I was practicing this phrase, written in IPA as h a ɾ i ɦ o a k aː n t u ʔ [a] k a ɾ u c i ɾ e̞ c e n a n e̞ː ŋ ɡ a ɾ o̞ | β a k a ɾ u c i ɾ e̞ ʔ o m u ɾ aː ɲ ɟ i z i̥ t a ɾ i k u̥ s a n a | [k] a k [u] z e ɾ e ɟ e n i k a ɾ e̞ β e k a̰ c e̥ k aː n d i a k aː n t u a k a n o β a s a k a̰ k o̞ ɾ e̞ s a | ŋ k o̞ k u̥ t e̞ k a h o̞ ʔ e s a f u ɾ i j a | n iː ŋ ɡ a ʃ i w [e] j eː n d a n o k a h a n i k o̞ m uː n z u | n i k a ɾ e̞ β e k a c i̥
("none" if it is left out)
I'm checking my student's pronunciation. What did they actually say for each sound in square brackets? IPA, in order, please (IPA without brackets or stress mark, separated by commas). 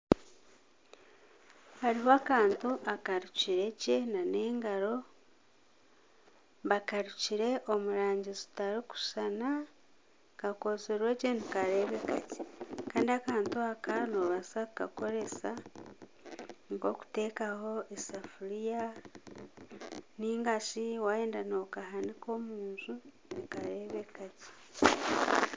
a, k, o, a